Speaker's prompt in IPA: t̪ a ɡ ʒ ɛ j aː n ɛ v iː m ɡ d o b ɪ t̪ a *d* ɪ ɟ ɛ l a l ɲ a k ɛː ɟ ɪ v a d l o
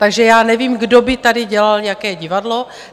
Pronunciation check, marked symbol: correct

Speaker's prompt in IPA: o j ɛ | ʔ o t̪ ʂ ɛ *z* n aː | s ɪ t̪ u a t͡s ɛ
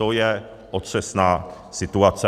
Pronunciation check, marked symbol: incorrect: s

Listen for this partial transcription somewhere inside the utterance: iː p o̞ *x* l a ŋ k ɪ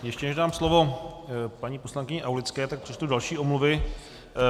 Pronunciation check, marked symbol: incorrect: s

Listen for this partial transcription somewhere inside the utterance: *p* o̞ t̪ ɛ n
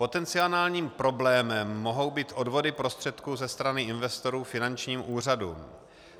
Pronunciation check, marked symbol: correct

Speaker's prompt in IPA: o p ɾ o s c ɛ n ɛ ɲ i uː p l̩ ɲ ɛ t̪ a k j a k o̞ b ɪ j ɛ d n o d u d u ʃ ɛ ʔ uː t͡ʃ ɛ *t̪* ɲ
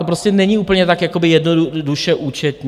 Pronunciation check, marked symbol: correct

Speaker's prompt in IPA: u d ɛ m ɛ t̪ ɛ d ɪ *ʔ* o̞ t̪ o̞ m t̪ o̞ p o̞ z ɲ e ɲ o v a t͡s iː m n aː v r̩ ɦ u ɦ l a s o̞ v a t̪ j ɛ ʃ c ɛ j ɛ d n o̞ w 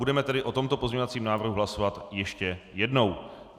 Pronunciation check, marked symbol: correct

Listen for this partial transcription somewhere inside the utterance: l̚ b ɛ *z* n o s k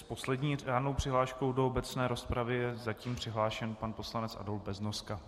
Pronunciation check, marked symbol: correct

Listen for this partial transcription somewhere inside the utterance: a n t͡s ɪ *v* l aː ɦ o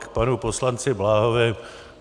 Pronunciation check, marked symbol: incorrect: b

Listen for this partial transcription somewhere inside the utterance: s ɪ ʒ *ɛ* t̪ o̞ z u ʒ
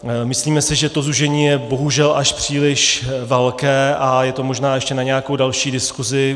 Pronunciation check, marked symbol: correct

